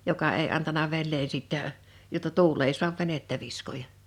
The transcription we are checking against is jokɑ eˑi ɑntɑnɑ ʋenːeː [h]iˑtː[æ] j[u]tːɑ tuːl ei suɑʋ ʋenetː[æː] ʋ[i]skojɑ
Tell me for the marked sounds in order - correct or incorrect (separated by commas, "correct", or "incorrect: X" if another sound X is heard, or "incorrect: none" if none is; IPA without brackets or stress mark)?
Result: incorrect: s, correct, incorrect: o, incorrect: æ, correct